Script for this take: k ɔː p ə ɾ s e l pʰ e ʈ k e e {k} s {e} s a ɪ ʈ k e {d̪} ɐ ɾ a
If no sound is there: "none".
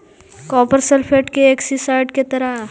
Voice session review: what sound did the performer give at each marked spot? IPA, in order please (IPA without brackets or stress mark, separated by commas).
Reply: k, i, t̪